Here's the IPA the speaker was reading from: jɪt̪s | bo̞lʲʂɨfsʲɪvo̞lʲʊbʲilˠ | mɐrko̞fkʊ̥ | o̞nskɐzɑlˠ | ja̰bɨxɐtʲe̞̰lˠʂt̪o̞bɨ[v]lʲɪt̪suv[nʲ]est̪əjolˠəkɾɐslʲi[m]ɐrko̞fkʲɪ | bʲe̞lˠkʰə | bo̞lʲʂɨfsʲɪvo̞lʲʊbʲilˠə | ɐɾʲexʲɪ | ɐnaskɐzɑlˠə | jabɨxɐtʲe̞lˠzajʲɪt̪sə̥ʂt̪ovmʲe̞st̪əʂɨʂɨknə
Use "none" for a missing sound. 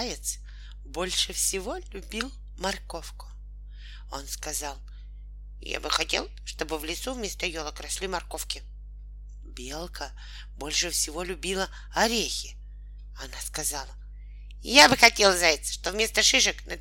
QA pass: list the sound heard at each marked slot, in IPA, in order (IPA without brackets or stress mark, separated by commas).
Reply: v, mʲ, m